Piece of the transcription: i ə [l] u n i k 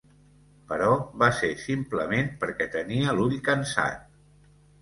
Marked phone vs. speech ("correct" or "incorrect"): correct